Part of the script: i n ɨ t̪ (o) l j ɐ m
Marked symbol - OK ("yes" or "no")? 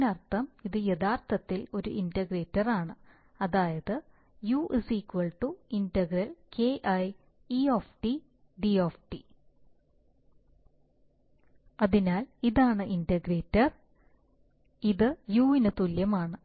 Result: no